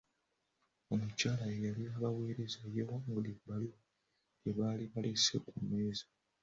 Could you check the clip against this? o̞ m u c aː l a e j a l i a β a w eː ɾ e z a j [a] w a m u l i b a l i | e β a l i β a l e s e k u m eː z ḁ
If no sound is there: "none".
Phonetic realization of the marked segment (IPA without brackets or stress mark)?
e